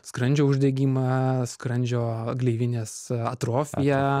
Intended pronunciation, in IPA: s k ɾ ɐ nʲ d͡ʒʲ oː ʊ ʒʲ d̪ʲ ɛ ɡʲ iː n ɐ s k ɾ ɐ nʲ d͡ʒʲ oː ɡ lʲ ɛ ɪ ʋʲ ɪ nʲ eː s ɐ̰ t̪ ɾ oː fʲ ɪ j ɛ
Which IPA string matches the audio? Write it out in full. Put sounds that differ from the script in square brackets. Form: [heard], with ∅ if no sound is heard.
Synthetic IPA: s k ɾ ɐ nʲ d͡ʒʲ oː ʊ ʒʲ d̪ʲ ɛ ɡʲ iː [m] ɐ s k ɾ ɐ nʲ d͡ʒʲ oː ɡ lʲ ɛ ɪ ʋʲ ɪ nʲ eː s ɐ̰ t̪ ɾ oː fʲ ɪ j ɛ

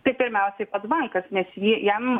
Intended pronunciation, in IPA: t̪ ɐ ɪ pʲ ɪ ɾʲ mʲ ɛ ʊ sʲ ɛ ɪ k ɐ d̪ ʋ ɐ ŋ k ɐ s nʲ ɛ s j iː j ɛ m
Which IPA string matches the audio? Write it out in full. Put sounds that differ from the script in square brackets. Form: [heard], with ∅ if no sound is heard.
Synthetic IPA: t̪ ɐ ɪ pʲ ɪ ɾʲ mʲ ɛ ʊ sʲ ɛ ɪ [p] ɐ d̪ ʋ ɐ ŋ k ɐ s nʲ ɛ s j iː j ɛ m

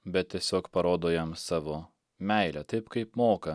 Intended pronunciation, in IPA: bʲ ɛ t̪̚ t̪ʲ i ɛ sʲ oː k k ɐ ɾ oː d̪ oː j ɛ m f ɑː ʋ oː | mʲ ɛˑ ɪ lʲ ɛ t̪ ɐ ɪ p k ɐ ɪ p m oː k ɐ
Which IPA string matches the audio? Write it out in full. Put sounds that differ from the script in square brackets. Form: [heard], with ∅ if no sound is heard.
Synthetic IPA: bʲ ɛ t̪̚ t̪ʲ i ɛ sʲ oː k [p] ɐ ɾ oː d̪ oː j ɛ m [s] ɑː ʋ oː | mʲ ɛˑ ɪ lʲ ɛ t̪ ɐ ɪ p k ɐ ɪ p m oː k ɐ

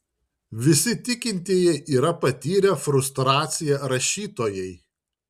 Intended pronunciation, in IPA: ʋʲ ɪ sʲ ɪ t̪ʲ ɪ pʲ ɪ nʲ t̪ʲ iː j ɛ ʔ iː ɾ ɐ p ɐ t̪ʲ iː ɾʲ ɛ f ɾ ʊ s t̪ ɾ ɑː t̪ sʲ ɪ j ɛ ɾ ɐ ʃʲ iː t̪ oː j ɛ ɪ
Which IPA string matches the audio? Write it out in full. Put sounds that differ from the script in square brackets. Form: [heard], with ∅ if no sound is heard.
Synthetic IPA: ʋʲ ɪ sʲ ɪ t̪ʲ ɪ [kʲ] ɪ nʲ t̪ʲ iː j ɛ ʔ iː ɾ ɐ p ɐ t̪ʲ iː ɾʲ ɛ f ɾ ʊ s t̪ ɾ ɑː t̪ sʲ ɪ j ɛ ɾ ɐ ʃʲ iː t̪ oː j ɛ ɪ

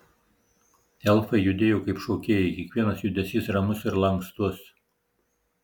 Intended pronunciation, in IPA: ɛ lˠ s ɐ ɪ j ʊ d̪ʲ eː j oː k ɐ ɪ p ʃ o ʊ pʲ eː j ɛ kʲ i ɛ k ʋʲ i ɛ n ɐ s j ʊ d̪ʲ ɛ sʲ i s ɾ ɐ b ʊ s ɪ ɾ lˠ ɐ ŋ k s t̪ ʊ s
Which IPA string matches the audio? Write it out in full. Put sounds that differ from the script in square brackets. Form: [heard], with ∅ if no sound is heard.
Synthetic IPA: ɛ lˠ [f] ɐ ɪ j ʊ d̪ʲ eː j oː k ɐ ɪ p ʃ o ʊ [kʲ] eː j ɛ kʲ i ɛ k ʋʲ i ɛ n ɐ s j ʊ d̪ʲ ɛ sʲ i s ɾ ɐ [m] ʊ s ɪ ɾ lˠ ɐ ŋ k s t̪ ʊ s

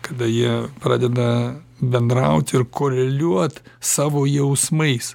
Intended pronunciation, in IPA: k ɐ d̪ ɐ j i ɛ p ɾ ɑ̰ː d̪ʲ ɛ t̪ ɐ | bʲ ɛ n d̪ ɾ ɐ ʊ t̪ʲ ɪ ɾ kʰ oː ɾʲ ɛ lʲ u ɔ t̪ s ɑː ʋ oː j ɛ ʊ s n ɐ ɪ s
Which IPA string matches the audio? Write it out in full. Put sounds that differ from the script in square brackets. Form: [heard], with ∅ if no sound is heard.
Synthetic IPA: k ɐ d̪ ɐ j i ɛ p ɾ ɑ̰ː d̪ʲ ɛ [d̪] ɐ | bʲ ɛ n d̪ ɾ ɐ ʊ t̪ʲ ɪ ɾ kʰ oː ɾʲ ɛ lʲ u ɔ t̪ s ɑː ʋ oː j ɛ ʊ s [m] ɐ ɪ s

